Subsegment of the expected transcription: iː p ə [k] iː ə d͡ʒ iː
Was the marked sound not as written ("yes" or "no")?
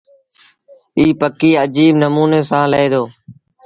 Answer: no